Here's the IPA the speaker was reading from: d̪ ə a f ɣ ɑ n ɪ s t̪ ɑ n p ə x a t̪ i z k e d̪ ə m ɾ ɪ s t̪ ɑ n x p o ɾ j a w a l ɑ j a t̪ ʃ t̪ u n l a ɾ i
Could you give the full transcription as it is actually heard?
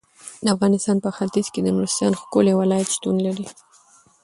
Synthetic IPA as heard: d̪ ə a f ɣ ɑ n ɪ s t̪ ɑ n p ə x a t̪ i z k e d̪ ə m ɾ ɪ s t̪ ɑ n x k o l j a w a l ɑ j a t̪ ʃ t̪ u n l a ɾ i